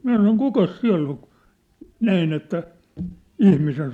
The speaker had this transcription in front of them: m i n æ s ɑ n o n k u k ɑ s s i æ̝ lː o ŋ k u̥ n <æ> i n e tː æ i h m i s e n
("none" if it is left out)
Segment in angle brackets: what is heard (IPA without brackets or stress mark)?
æ